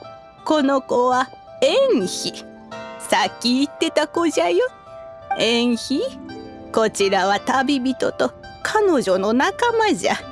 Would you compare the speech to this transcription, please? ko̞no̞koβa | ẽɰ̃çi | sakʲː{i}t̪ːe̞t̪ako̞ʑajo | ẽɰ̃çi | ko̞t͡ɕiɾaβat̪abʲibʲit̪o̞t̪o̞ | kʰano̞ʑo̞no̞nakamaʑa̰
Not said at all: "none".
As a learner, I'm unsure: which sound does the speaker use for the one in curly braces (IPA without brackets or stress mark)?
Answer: iː